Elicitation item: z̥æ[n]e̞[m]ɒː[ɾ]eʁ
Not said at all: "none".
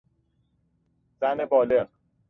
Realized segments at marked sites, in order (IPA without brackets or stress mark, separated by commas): n, b, l